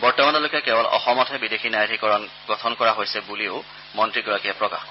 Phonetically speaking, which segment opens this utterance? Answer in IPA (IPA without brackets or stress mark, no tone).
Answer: b